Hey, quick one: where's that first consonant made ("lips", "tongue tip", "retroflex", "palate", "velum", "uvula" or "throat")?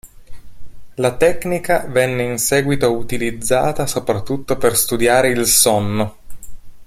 tongue tip